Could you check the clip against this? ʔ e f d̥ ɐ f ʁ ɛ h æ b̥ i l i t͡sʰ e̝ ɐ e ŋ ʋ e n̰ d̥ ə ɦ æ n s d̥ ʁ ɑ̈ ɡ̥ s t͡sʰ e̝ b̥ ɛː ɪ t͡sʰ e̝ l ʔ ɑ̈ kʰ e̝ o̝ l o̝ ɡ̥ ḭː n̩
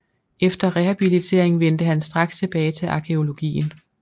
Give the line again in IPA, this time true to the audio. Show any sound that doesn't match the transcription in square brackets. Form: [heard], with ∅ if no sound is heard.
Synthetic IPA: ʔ e f d̥ ɐ [∅] ʁ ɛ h æ b̥ i l i t͡sʰ e̝ ɐ e ŋ ʋ e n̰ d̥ ə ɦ æ n s d̥ ʁ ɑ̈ ɡ̥ s t͡sʰ e̝ b̥ ɛː ɪ t͡sʰ e̝ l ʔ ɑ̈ kʰ e̝ o̝ l o̝ ɡ̥ ḭː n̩